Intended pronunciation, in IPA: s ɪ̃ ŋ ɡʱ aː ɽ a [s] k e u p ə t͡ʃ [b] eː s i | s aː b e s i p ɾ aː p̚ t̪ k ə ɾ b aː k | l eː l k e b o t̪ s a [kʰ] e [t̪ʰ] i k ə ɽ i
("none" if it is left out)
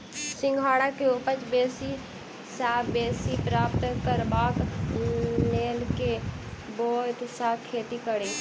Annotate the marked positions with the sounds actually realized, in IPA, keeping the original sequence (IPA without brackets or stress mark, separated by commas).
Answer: none, b, kʰ, t̪